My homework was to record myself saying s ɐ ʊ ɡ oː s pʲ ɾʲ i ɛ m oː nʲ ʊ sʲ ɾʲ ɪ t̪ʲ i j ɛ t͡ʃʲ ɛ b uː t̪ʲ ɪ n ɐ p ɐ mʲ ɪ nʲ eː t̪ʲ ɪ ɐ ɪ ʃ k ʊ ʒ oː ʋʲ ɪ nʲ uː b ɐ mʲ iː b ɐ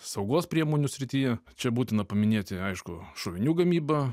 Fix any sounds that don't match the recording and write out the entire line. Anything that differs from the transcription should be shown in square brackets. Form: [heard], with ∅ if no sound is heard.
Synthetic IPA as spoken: s ɐ ʊ ɡ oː s pʲ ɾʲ i ɛ m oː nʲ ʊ sʲ ɾʲ ɪ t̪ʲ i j ɛ t͡ʃʲ ɛ b uː t̪ʲ ɪ n ɐ p ɐ mʲ ɪ nʲ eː t̪ʲ ɪ ɐ ɪ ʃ k ʊ [ʃ] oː ʋʲ ɪ nʲ uː [ɡ] ɐ mʲ iː b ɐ